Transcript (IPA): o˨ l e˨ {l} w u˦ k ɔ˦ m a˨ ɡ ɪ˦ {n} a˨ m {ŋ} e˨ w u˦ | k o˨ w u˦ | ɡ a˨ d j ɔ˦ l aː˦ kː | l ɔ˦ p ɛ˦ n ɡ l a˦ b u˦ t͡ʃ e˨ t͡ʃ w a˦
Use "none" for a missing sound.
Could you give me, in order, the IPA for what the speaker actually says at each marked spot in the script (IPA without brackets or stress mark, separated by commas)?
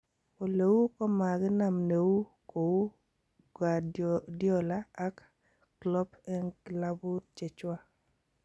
none, n, n